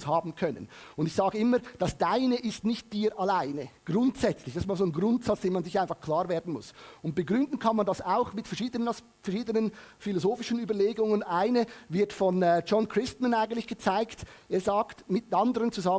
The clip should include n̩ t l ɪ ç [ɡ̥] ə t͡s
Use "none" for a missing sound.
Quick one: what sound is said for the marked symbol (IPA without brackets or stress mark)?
ɡ̥